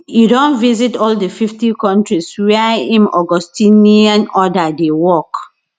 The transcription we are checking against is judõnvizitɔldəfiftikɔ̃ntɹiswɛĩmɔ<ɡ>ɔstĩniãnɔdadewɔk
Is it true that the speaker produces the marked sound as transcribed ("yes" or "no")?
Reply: yes